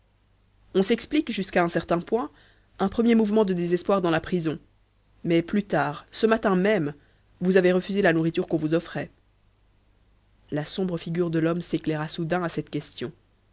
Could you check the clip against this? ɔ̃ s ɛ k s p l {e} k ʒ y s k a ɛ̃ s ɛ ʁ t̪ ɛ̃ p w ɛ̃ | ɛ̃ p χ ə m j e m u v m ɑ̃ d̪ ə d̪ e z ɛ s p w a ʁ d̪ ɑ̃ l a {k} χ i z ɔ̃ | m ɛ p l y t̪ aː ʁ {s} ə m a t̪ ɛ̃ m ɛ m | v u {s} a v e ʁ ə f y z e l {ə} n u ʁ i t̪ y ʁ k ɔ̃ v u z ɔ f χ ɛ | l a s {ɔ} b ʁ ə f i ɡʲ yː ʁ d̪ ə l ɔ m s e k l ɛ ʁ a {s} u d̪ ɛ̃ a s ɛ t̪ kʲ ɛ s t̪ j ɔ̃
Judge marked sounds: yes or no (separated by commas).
no, no, yes, no, no, no, yes